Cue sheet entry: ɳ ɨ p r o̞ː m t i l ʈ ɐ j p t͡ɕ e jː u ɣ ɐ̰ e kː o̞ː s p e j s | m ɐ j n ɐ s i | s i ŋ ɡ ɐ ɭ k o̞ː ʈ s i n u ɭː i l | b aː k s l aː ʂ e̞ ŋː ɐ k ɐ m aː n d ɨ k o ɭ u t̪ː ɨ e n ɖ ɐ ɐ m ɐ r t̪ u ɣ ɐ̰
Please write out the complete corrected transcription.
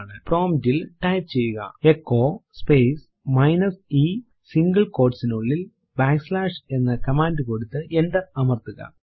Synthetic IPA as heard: ɳ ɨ p r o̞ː m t i l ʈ ɐ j p t͡ɕ e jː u ɣ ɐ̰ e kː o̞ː s p e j s | m ɐ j n ɐ s i | s i ŋ ɡ ɐ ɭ k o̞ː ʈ s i n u ɭː i l | b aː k s l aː ʂ e̞ nː ɐ k ɐ m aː n d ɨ k o ɽ u t̪ː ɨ e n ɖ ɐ ɐ m ɐ r t̪ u ɣ ɐ̰

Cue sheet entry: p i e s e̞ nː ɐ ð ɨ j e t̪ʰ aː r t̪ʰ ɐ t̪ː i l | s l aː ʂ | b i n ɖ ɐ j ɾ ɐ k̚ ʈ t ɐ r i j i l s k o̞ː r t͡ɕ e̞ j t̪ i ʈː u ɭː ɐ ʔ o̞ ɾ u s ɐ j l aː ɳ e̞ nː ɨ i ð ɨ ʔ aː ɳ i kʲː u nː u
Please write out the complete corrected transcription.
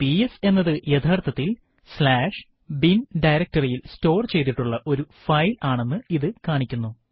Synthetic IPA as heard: p i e s e̞ nː ɐ ð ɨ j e t̪ʰ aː r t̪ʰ ɐ t̪ː i l | s l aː ʂ | b i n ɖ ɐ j ɾ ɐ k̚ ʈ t ɐ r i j i l s t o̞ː r t͡ɕ e̞ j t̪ i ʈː u ɭː ɐ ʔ o̞ ɾ u f ɐ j l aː ɳ e̞ nː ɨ i ð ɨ k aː ɳ i kʲː u nː u

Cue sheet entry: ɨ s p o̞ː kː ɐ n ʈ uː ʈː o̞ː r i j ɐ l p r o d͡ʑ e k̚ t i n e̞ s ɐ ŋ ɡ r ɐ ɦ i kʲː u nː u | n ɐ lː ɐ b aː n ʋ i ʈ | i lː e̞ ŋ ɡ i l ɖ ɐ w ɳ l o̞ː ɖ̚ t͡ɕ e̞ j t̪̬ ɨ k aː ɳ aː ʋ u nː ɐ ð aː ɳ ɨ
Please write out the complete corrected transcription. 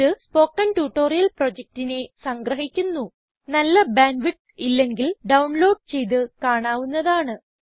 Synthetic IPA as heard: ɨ s p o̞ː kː ɐ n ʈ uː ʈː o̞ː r i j ɐ l p r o d͡ʑ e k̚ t i n e̞ s ɐ ŋ ɡ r ɐ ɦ i kʲː u nː u | n ɐ lː ɐ b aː n ʋ i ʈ | i lː e̞ ŋ ɡ i l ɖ ɐ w ɳ l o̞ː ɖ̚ t͡ɕ e̞ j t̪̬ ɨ k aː ɳ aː ʋ u nː ɐ ð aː ɳ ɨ

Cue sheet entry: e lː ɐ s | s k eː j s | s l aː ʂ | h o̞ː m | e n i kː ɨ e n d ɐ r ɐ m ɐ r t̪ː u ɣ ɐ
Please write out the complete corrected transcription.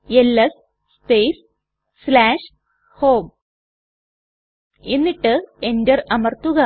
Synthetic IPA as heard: e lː ɐ s | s p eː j s | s l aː ʂ | h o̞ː m | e nː i ʈː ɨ e n d ɐ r ɐ m ɐ r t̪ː u ɣ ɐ

